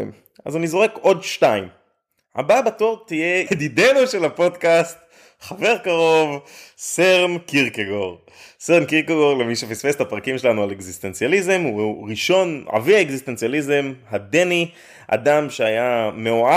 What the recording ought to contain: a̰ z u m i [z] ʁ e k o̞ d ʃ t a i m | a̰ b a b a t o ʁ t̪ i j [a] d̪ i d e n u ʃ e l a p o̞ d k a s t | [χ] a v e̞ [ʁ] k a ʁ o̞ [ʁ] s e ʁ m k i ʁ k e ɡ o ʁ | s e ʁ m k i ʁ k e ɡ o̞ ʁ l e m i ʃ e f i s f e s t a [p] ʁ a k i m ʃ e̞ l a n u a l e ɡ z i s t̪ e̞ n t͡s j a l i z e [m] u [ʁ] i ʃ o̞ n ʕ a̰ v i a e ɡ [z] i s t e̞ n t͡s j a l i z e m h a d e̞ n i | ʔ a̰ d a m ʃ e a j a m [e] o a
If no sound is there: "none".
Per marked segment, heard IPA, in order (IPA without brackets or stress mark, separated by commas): z, e, χ, ʁ, v, p, m, ʁ, z, e